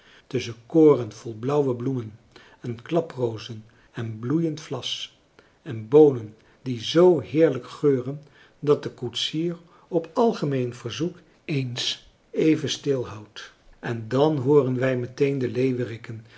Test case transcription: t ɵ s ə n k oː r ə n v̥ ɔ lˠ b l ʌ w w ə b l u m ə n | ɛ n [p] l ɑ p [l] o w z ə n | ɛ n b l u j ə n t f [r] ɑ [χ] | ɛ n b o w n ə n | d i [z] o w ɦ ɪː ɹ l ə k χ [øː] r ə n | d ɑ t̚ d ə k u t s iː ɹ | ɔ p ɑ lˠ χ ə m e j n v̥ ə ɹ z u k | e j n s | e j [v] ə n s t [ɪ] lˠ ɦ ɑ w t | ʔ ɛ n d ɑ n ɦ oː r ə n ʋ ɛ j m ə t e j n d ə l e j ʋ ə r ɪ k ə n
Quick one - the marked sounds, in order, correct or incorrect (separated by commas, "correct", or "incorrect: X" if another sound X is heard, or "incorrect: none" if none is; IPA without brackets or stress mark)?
incorrect: k, incorrect: r, incorrect: l, incorrect: s, correct, correct, correct, correct